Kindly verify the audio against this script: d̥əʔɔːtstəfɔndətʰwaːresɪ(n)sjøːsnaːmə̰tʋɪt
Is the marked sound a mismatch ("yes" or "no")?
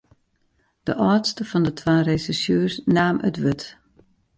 yes